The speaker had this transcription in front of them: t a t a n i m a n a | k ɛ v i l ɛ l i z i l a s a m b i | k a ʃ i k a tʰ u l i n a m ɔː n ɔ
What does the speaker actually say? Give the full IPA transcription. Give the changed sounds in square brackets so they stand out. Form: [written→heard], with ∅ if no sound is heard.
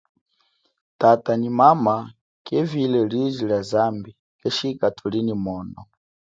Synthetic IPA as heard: t a t a n i m a [n→m] a | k ɛ v i l ɛ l i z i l a [s→z] a m b i | k [a→ɛ] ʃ i k a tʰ u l i n [a→i] m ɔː n ɔ